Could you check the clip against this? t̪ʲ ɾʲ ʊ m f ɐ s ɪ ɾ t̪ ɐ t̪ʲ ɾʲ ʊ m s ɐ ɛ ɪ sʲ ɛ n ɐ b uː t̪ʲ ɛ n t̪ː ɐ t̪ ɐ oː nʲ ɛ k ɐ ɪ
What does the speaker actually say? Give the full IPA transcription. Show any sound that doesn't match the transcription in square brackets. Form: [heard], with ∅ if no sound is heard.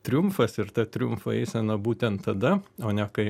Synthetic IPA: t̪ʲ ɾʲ ʊ m f ɐ s ɪ ɾ t̪ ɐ t̪ʲ ɾʲ ʊ m [f] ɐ ɛ ɪ sʲ ɛ n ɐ b uː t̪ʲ ɛ n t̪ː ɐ [d̪] ɐ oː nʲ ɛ k ɐ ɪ